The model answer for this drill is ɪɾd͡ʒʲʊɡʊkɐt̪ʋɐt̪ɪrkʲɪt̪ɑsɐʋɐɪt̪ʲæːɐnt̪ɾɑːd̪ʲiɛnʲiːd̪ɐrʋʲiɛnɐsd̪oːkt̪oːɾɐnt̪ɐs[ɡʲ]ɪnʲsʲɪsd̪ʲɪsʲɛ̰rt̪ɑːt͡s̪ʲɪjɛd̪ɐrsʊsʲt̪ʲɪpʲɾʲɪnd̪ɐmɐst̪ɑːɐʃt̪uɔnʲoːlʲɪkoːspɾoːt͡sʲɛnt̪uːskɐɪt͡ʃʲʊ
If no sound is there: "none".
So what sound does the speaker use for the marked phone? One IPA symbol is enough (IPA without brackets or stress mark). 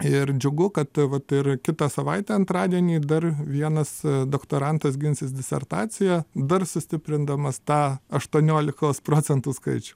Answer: ɡʲ